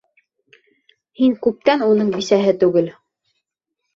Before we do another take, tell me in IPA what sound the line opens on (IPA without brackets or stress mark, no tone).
h